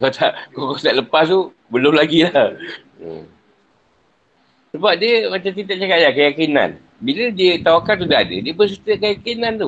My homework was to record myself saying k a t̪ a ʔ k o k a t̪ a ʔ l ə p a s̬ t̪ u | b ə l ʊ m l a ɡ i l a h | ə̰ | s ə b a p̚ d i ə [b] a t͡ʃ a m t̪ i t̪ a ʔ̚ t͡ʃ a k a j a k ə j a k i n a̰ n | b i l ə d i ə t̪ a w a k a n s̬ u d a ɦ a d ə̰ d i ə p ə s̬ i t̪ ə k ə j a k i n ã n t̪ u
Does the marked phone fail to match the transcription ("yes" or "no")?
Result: yes